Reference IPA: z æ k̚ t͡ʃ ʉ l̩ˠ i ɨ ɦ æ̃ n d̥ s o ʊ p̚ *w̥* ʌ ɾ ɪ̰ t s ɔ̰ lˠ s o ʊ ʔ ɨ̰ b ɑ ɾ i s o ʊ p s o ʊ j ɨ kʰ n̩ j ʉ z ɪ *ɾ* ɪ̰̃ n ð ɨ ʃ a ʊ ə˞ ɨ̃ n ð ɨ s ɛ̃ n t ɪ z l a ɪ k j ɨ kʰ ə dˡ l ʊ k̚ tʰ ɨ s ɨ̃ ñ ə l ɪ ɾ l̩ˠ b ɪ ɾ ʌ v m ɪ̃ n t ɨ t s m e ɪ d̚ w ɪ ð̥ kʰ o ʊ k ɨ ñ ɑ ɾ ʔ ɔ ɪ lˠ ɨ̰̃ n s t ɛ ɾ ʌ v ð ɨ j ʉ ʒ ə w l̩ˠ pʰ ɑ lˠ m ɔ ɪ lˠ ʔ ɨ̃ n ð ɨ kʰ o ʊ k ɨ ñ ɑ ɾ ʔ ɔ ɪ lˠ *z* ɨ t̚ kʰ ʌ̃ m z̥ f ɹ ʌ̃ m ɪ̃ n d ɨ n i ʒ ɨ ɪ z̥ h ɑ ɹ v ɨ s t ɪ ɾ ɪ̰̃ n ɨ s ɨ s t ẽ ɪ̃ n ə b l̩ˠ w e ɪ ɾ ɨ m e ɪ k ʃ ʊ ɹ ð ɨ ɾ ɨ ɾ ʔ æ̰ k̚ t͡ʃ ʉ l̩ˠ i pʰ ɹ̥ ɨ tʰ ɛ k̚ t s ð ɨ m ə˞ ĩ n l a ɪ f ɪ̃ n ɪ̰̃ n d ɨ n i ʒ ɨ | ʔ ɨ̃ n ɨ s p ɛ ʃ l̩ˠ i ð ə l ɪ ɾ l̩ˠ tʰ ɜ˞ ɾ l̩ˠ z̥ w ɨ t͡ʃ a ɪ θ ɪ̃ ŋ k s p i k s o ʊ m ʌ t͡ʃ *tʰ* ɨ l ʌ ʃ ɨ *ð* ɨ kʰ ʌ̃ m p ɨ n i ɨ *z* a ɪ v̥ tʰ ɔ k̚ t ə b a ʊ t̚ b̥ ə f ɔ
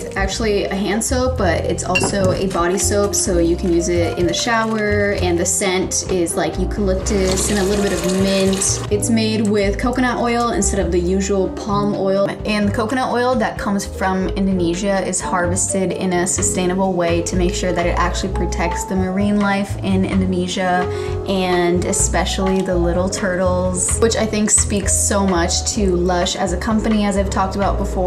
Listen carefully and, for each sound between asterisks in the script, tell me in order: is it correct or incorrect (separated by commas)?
incorrect, correct, incorrect, correct, incorrect, correct